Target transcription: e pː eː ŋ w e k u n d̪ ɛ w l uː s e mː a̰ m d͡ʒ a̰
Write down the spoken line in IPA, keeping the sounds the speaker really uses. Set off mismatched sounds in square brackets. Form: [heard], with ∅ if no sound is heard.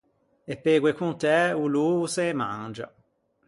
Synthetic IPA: e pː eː [ɡ] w e k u n [t̪] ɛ [u] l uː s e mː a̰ [n] d͡ʒ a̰